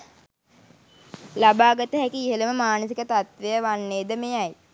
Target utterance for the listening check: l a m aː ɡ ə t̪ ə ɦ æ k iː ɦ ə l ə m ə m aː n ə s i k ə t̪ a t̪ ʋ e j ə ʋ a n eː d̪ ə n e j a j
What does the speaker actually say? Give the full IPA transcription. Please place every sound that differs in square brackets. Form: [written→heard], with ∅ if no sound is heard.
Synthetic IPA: l a [m→b] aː ɡ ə t̪ ə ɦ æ k iː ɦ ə l ə m ə m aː n ə s i k ə t̪ a t̪ ʋ e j ə ʋ a [n→nː] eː d̪ ə [n→m] e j a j